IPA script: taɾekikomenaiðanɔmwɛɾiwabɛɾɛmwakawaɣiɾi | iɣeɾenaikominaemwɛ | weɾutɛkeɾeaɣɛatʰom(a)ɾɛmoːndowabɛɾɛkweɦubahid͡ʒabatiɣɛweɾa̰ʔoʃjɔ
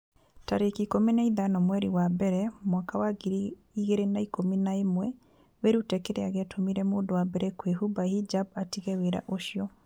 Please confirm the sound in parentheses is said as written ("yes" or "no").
no